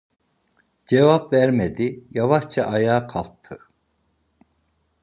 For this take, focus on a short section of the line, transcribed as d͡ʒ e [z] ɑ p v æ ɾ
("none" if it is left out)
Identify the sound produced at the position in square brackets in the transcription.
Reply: v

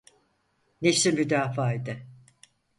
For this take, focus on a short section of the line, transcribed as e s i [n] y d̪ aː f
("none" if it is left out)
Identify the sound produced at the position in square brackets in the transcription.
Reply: m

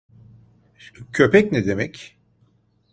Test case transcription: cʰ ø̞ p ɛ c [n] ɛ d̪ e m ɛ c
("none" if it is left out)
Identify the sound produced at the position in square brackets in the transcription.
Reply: n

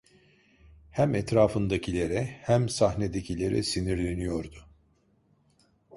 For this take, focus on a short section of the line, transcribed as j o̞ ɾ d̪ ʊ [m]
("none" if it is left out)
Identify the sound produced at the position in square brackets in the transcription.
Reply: none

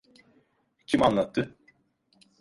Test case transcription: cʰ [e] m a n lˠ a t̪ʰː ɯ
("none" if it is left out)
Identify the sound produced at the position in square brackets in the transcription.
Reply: i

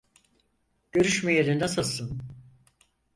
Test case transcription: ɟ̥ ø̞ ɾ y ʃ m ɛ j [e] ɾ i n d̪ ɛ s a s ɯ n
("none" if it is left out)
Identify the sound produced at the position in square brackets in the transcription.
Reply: e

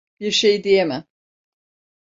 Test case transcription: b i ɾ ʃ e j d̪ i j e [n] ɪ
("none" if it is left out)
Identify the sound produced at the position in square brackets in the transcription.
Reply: m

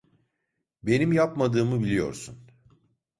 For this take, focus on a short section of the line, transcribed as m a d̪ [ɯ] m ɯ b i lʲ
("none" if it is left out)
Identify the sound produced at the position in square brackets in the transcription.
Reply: ɯː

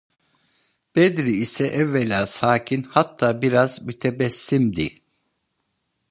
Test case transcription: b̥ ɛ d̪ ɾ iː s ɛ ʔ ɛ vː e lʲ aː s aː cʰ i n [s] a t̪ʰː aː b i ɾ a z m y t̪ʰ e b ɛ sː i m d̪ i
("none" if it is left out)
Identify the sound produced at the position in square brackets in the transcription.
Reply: h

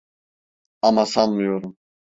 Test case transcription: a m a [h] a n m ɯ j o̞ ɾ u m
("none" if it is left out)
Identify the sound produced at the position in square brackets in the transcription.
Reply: s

